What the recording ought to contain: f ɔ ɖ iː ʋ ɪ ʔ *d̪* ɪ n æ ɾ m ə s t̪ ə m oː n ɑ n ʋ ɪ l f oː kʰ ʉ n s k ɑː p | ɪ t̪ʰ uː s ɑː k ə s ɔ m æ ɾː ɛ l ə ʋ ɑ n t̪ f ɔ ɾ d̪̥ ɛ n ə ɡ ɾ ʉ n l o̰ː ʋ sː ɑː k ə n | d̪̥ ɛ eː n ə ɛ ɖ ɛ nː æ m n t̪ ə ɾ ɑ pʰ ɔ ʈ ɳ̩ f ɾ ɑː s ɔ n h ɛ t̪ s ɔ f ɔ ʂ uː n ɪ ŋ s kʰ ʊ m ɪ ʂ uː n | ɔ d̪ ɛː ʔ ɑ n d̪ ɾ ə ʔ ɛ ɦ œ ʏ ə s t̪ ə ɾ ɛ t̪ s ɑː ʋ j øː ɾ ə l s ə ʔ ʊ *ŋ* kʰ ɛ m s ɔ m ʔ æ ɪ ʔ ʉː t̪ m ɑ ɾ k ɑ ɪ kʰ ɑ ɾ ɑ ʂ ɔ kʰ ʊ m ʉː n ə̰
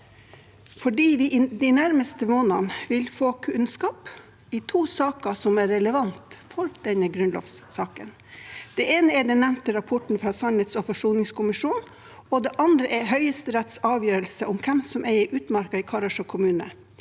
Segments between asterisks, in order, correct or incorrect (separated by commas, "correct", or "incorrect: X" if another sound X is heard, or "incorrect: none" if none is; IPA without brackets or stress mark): correct, incorrect: m